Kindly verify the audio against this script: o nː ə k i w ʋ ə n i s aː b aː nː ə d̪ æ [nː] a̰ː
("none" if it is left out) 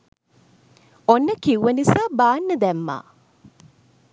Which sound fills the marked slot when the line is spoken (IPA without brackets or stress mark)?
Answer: mː